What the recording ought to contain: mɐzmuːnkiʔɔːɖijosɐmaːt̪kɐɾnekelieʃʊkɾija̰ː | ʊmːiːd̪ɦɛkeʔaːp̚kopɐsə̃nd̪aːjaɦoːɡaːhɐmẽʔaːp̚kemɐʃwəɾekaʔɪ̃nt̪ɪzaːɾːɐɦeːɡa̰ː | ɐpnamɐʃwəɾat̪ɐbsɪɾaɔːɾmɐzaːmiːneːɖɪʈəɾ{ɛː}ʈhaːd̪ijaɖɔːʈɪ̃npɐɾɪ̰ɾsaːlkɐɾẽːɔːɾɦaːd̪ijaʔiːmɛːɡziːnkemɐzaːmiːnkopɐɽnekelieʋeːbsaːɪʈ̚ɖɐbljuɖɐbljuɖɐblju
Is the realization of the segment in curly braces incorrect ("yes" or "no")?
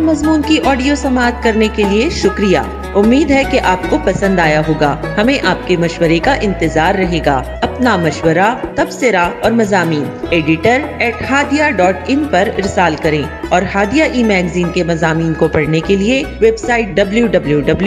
no